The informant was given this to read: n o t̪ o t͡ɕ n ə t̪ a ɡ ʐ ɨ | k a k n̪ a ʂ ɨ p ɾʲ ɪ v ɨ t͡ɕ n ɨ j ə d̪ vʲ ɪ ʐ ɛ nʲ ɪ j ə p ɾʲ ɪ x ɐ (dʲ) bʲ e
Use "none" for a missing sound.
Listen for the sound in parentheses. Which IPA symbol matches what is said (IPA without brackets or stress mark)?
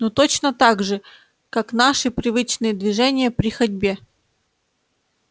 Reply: dʲ